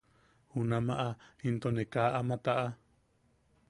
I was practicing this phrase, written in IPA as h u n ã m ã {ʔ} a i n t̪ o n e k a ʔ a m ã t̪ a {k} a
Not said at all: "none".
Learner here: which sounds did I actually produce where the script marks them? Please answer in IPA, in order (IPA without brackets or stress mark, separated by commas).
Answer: ʔ, ʔ